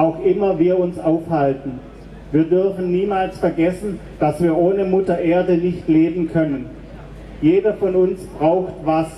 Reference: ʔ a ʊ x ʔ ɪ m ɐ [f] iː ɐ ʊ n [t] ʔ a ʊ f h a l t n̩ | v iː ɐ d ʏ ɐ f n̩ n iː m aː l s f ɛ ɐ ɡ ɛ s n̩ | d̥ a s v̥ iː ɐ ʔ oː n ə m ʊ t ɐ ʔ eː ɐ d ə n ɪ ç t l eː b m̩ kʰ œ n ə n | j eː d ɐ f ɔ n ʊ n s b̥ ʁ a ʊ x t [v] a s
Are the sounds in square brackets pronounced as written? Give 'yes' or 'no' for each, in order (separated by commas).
no, no, yes